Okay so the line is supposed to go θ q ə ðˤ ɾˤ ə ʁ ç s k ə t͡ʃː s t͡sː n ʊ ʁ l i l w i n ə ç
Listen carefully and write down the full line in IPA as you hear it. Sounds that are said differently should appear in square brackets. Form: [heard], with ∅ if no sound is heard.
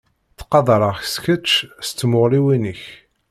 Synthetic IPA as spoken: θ q [ɑ] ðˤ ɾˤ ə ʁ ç s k ə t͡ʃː s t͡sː [m] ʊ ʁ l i [∅] w i n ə ç